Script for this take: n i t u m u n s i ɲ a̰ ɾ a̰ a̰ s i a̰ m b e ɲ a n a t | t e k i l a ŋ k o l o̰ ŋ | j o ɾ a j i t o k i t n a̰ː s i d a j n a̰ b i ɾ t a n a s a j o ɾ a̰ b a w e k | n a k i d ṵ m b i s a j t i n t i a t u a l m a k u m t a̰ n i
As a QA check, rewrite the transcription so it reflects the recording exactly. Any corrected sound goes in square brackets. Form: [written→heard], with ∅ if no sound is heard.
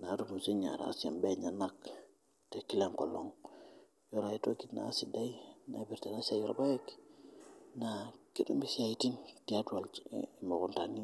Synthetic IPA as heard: n [i→a] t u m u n s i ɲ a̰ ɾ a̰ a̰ s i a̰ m b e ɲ a n a [t→k] | t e k i l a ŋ k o l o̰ ŋ | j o ɾ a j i t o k i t n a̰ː s i d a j n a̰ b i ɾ t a n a s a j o ɾ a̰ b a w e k | n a k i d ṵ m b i s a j t i n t i a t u a l m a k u [m→n] t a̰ n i